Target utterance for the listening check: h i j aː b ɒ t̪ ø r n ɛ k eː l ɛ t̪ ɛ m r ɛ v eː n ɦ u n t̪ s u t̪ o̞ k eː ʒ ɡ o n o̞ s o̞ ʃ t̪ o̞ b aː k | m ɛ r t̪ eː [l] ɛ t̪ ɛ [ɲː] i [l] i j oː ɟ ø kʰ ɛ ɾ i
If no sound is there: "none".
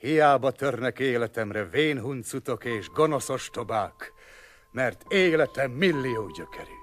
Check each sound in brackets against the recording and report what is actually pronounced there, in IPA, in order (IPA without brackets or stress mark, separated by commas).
l, mː, lː